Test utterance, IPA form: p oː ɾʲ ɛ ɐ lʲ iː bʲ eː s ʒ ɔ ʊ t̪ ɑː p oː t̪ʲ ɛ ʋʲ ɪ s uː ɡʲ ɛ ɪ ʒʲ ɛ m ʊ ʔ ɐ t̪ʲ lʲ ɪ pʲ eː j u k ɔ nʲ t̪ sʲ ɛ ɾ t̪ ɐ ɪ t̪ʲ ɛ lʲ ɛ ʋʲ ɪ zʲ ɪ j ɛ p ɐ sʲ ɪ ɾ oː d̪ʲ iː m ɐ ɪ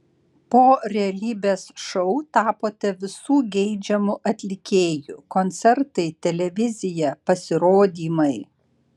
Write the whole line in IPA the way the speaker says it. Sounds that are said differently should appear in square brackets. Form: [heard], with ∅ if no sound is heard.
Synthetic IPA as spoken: p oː ɾʲ ɛ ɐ lʲ iː bʲ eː s [ʃ] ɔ ʊ t̪ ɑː p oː t̪ʲ ɛ ʋʲ ɪ s uː ɡʲ ɛ ɪ [d͡ʒʲ] ɛ m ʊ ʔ ɐ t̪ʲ lʲ ɪ [kʲ] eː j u k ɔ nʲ t̪ sʲ ɛ ɾ t̪ ɐ ɪ t̪ʲ ɛ lʲ ɛ ʋʲ ɪ zʲ ɪ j ɛ p ɐ sʲ ɪ ɾ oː d̪ʲ iː m ɐ ɪ